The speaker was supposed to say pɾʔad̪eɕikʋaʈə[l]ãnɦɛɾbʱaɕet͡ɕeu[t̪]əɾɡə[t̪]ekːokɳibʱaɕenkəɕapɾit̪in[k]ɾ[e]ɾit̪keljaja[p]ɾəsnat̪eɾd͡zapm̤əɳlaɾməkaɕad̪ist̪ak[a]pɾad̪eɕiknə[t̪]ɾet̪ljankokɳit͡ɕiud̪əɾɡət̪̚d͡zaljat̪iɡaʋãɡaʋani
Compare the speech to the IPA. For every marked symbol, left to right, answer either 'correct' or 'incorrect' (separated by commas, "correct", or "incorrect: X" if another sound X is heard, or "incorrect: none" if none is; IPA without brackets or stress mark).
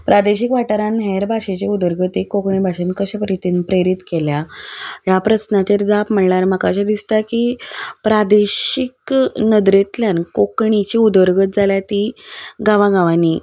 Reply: incorrect: ɾ, incorrect: d̪, correct, incorrect: p, correct, correct, incorrect: i, incorrect: d̪